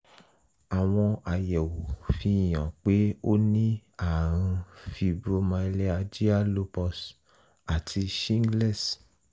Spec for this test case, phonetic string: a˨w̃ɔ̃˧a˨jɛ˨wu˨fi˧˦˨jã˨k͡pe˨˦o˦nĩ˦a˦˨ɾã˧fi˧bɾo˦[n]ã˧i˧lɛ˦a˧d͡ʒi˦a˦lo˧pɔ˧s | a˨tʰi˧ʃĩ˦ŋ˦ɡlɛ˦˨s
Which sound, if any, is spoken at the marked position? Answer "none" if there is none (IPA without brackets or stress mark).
m